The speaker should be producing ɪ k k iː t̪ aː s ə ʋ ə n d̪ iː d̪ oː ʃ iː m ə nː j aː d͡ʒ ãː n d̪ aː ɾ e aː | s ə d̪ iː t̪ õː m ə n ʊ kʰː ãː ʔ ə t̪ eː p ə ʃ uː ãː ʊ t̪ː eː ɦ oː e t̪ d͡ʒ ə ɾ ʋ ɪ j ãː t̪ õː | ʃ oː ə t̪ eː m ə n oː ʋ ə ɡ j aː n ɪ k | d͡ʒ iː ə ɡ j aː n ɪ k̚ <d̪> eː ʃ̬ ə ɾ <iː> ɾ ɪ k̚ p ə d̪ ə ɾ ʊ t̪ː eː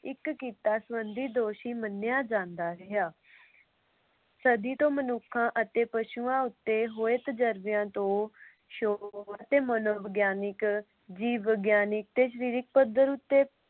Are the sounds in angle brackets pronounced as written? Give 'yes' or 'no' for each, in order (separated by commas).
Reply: no, yes